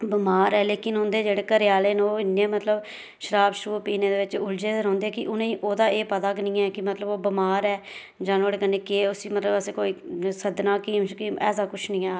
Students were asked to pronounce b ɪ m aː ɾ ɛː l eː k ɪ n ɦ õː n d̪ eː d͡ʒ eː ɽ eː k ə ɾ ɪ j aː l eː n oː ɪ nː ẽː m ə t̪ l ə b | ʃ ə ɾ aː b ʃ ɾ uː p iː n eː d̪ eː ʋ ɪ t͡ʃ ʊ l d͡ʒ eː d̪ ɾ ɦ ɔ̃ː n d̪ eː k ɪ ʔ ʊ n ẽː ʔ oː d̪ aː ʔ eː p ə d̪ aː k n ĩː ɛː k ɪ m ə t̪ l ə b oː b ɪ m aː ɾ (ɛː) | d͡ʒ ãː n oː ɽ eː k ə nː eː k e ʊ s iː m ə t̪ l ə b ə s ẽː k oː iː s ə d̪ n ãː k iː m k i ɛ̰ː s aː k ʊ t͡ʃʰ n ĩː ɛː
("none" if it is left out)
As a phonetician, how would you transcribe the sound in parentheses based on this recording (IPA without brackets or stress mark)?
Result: ɛː